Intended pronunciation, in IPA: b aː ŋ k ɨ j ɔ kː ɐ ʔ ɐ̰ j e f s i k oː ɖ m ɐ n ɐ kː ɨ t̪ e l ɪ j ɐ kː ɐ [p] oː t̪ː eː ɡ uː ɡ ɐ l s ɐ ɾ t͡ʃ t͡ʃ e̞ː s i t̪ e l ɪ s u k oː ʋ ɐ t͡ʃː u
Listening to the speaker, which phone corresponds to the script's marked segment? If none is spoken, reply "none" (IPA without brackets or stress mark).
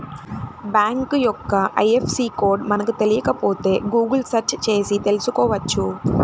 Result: p